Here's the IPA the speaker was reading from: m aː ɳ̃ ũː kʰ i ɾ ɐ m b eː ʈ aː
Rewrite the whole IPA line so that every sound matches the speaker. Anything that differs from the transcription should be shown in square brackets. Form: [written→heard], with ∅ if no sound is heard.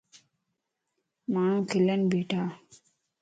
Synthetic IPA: m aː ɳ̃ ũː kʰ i [ɾ→l] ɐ [m→n] b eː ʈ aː